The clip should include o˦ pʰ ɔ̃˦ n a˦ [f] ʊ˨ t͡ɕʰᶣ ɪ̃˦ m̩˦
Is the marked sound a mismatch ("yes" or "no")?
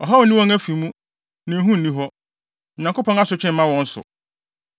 yes